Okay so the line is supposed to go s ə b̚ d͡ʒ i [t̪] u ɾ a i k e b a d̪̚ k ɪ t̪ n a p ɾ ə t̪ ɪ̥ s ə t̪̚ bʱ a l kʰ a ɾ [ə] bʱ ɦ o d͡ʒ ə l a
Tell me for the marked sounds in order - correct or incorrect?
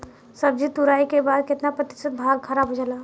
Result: correct, incorrect: a

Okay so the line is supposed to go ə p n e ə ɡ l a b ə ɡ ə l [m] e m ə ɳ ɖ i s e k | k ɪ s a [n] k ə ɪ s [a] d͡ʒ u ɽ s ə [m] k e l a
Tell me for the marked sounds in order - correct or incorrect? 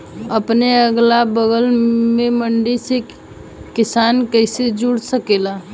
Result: correct, correct, incorrect: e, incorrect: none

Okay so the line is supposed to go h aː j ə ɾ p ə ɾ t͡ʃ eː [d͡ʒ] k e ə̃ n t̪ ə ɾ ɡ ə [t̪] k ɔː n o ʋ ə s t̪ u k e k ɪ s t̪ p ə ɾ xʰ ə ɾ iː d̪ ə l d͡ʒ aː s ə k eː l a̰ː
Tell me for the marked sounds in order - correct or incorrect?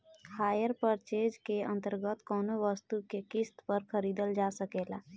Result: correct, correct

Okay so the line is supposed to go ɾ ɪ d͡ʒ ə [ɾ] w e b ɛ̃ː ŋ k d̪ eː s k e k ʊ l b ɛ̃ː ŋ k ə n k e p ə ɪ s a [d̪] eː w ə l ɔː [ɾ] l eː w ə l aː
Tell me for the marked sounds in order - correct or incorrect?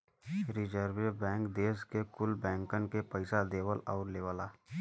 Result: correct, correct, correct

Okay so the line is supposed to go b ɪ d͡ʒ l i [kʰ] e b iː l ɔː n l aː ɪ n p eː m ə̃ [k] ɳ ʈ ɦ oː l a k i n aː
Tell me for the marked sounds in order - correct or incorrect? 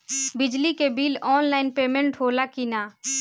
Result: incorrect: k, incorrect: none

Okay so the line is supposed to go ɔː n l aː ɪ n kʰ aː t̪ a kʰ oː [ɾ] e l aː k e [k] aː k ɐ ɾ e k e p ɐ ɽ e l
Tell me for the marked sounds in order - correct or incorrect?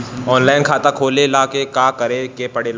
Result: incorrect: l, correct

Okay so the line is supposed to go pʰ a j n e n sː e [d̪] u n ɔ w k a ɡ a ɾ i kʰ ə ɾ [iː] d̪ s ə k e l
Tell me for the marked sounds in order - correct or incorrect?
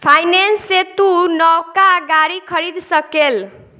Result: incorrect: t̪, incorrect: i

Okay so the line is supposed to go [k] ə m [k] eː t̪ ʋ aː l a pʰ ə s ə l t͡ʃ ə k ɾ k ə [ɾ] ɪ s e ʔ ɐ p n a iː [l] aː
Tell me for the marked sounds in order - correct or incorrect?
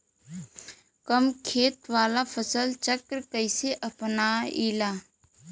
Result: correct, incorrect: kʰ, incorrect: none, correct

